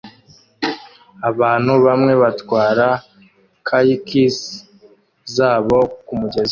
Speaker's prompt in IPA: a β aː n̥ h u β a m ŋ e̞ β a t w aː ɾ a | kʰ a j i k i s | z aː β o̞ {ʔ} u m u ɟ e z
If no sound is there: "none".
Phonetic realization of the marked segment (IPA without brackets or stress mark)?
k